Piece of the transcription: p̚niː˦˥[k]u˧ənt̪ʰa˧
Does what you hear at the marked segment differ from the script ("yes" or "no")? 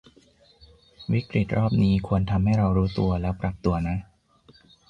yes